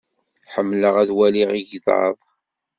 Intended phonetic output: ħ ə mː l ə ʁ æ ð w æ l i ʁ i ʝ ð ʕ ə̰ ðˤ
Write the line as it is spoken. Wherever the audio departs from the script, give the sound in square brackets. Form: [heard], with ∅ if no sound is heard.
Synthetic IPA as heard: ħ ə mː l ə ʁ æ ð w æ l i ʁ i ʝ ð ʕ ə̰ ðˤ